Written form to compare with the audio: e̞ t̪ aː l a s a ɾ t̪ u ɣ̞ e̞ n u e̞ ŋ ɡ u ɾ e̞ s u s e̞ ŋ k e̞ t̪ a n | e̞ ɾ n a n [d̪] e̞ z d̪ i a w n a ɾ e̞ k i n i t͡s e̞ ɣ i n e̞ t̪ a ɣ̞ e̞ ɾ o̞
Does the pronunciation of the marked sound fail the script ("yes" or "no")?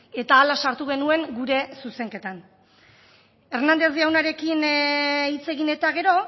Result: no